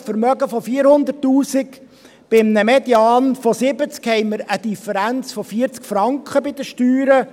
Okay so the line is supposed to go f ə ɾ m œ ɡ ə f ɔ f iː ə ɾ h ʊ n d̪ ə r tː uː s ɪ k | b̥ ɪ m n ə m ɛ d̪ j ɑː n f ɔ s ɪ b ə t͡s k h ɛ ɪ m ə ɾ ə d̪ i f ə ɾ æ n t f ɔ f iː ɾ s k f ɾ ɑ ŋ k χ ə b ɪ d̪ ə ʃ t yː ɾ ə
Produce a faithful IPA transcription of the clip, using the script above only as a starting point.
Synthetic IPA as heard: f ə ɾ m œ ɡ ə f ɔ f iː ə ɾ h ʊ n d̪ ə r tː uː s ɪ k | b̥ ɪ m n ə m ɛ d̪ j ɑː n f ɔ s ɪ b ə t͡s k h ɛ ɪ m ə ɾ ə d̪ i f ə ɾ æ n t͡s f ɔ f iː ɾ t͡s k f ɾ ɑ ŋ k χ ə b ɪ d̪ ə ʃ t yː ɾ ə